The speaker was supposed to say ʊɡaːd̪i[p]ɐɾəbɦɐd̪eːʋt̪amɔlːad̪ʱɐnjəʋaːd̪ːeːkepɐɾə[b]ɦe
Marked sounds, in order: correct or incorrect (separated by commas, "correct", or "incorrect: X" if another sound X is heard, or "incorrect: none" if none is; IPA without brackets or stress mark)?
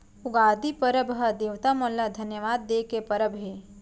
correct, correct